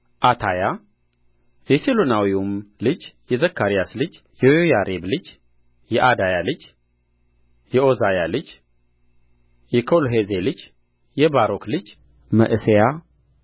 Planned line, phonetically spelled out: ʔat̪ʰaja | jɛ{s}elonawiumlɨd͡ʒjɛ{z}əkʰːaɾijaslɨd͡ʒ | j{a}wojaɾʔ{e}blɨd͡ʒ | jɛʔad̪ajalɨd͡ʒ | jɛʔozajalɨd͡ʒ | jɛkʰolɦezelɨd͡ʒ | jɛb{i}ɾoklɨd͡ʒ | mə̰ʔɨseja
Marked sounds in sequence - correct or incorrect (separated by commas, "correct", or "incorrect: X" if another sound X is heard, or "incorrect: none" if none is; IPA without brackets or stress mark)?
correct, correct, incorrect: ɛ, correct, incorrect: a